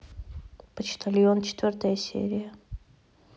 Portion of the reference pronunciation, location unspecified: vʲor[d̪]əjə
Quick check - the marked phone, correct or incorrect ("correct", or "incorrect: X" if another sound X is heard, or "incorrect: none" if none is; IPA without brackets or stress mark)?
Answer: incorrect: t̪